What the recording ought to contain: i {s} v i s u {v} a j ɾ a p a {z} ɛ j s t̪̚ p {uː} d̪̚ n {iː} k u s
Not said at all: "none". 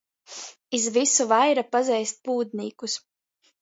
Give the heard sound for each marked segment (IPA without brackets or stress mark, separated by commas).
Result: z, v, z, uː, iː